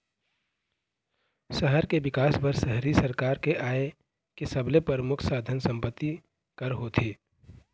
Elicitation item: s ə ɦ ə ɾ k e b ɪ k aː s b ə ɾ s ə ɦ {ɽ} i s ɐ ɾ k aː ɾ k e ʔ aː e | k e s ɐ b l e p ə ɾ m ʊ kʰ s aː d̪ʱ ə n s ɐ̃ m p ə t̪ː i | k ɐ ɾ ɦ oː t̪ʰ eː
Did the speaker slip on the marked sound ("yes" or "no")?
yes